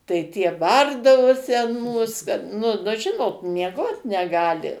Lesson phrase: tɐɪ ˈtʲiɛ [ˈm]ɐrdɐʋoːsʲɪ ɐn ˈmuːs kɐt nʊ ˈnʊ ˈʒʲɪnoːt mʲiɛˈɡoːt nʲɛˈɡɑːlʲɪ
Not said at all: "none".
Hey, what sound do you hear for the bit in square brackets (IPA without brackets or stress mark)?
b